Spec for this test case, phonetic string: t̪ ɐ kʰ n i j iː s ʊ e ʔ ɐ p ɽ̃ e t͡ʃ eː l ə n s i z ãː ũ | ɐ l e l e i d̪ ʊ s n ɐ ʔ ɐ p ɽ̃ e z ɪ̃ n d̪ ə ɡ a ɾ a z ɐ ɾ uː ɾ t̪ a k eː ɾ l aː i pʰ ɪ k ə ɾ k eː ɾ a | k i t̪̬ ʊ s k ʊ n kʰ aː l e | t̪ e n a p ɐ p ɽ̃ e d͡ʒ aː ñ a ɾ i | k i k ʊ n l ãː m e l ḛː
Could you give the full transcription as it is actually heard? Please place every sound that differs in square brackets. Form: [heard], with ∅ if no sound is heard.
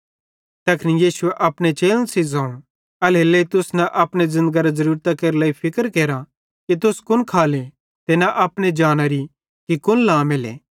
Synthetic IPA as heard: t̪ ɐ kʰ n i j iː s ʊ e ʔ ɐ p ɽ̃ e t͡ʃ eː l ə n s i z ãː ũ | ɐ l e l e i [t̪] ʊ s n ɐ ʔ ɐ p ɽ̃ e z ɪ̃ n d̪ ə ɡ a ɾ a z ɐ ɾ uː ɾ t̪ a k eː ɾ l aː i pʰ ɪ k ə ɾ k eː ɾ a | k i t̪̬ ʊ s k ʊ n kʰ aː l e | t̪ e n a [ʔ] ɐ p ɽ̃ e d͡ʒ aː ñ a ɾ i | k i k ʊ n l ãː m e l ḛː